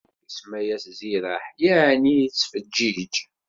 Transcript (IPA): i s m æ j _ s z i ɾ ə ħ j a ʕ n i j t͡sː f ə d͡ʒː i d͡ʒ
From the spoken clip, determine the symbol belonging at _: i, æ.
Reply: æ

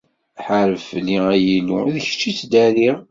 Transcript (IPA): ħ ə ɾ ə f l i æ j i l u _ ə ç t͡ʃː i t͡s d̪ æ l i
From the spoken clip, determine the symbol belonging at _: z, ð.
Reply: ð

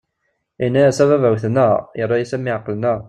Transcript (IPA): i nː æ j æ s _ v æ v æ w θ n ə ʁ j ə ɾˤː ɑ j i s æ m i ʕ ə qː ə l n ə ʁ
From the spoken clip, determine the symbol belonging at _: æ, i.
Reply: æ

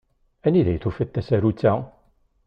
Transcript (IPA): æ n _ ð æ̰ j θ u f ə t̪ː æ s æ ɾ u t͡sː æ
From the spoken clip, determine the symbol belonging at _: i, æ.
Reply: i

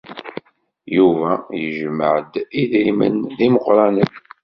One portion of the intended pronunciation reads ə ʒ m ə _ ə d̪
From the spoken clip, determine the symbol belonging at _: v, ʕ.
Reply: ʕ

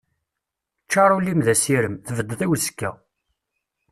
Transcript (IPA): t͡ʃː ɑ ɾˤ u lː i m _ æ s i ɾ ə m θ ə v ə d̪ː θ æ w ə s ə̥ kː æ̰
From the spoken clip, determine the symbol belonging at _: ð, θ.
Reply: ð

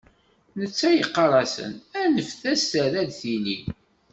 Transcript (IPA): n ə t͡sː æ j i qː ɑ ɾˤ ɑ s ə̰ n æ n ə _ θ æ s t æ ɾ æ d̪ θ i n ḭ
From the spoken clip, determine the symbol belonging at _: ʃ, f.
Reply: f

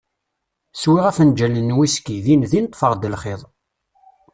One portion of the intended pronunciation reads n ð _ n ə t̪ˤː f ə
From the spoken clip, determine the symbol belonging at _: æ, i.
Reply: i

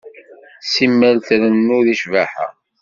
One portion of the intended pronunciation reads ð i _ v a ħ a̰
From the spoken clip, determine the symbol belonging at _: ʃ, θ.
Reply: ʃ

